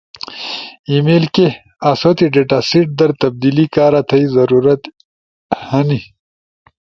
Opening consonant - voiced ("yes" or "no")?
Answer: yes